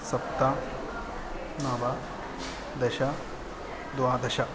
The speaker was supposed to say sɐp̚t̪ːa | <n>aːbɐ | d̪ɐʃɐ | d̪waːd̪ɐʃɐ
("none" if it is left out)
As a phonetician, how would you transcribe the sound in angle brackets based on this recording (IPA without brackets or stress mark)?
n